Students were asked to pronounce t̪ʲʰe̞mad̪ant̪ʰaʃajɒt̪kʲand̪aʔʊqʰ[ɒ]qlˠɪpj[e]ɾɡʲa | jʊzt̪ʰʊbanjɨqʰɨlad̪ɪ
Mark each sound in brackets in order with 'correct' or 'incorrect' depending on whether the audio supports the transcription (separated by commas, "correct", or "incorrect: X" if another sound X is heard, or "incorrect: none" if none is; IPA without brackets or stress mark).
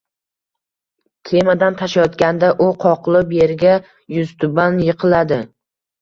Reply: correct, correct